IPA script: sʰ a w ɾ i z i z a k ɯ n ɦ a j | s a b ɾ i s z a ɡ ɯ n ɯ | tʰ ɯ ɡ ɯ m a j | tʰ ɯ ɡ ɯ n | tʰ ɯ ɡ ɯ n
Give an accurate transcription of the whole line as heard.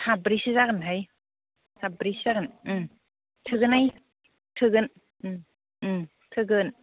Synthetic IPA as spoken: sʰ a b ɾ i s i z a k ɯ n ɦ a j | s a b ɾ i s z a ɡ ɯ n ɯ | tʰ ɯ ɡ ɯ n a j | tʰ ɯ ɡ ɯ n | tʰ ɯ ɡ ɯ n